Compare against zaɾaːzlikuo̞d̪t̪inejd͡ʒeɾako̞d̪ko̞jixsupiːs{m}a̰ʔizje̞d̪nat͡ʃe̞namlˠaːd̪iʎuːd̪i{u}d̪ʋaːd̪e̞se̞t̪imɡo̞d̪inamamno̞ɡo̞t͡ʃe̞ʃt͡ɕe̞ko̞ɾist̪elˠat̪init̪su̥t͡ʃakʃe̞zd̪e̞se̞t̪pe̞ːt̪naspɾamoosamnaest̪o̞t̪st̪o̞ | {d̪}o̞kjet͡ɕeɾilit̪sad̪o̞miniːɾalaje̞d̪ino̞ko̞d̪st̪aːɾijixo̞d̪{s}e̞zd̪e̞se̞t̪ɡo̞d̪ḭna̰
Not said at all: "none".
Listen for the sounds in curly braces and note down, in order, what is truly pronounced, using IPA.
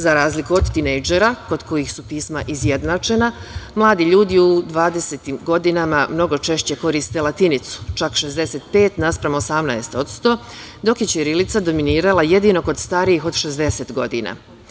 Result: m, u, d̪, ʃ

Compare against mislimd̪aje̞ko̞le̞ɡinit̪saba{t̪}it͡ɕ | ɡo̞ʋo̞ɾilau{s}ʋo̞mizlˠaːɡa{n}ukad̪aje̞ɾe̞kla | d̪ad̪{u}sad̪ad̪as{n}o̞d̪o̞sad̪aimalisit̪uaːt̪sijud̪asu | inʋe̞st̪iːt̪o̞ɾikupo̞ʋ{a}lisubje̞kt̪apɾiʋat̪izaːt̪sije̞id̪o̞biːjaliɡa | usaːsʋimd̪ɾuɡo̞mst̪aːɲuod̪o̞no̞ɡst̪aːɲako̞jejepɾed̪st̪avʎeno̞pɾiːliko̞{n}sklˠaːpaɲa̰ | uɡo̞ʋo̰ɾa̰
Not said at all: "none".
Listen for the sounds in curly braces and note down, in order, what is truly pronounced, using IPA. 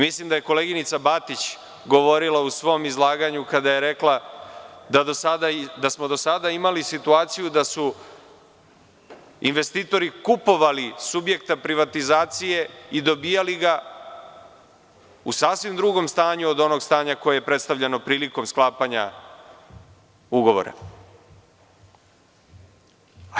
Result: t̪, s, ɲ, o, m, a, m

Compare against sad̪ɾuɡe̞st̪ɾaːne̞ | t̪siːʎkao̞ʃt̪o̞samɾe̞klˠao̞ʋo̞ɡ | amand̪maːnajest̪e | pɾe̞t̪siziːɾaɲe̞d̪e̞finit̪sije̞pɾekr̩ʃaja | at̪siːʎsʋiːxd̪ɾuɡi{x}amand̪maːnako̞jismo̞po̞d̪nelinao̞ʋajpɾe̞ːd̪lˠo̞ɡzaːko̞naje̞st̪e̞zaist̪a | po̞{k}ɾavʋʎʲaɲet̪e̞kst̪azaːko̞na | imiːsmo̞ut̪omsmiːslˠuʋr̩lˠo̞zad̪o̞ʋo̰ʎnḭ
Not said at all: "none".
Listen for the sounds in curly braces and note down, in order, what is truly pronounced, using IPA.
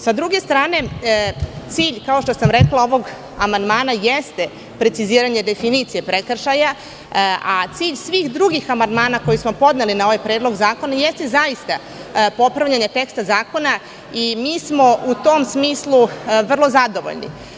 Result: x, p

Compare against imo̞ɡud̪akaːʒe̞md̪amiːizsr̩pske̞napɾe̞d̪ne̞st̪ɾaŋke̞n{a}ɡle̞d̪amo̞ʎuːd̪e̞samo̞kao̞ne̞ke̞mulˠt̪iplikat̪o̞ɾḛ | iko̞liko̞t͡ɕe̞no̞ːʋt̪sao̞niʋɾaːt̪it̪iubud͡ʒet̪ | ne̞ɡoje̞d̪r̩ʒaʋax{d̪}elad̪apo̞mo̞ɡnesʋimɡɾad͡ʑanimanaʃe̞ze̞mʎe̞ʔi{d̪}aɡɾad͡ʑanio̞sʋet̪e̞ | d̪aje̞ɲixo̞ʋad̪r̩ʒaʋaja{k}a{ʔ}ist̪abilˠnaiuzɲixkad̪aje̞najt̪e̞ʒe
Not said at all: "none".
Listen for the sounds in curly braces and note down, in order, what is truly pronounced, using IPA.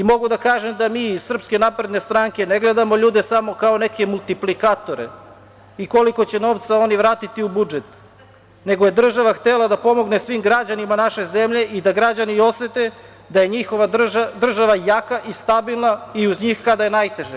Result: e, t̪, d̪, k, ʔ

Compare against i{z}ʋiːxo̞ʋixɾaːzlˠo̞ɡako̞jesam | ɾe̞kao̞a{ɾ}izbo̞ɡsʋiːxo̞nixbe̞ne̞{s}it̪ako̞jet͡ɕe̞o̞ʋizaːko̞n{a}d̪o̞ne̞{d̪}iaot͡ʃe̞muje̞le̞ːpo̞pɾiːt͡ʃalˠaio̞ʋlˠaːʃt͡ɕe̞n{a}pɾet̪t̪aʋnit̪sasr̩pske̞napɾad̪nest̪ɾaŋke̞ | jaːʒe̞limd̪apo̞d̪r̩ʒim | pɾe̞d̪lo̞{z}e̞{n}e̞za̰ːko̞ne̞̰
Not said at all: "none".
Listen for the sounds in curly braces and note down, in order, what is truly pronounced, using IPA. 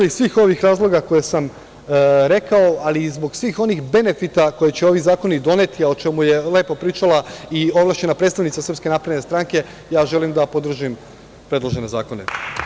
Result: s, l, f, i, t̪, a, ʒ, n

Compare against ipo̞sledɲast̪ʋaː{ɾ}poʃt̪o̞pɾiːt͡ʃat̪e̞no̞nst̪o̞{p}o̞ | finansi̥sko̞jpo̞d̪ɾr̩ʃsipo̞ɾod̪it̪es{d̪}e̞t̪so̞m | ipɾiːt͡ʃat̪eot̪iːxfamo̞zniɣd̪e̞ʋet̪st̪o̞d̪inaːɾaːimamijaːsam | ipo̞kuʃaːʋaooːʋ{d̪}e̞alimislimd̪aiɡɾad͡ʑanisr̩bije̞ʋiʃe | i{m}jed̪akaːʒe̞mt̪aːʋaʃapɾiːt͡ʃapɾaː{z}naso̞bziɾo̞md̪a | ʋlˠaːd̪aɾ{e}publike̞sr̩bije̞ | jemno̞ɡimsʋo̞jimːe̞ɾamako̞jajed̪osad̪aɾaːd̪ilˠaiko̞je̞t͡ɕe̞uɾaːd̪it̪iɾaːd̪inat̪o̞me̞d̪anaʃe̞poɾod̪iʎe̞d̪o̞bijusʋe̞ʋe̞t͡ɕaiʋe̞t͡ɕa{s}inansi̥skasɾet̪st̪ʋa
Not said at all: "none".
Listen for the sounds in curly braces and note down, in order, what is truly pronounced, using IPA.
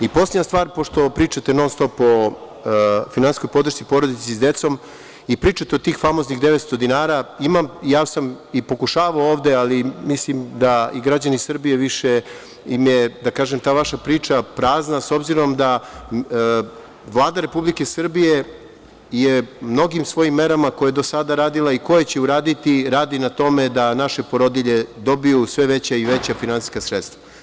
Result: ɾ, p, d̪, d̪, m, z, e, f

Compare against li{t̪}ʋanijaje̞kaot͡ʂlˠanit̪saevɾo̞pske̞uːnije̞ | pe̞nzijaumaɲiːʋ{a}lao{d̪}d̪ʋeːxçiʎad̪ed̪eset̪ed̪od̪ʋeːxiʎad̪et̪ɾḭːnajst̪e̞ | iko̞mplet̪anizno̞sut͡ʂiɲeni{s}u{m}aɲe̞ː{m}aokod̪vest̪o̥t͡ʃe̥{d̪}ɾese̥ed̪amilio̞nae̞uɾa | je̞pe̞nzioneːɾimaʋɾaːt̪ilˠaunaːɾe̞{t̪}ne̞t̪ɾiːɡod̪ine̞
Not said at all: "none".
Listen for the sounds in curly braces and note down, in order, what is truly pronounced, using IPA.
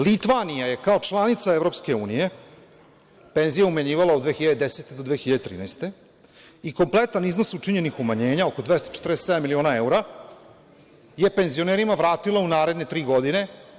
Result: t̪, a, d̪, x, m, ɲ, t̪, d̪

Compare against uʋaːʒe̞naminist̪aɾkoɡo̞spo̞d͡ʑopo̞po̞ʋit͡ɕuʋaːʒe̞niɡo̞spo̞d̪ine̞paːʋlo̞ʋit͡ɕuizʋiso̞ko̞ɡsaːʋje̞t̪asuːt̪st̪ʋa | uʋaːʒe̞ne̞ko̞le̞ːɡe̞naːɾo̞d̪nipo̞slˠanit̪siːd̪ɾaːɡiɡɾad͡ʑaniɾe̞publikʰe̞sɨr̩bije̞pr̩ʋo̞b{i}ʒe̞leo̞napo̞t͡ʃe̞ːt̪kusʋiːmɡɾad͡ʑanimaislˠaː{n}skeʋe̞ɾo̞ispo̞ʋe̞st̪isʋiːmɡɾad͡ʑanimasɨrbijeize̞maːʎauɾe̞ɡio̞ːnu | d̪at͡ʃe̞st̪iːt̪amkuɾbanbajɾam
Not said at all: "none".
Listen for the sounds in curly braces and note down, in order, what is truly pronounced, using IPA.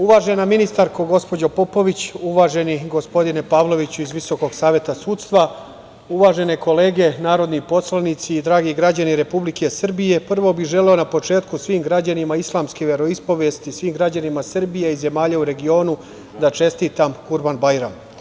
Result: i, m

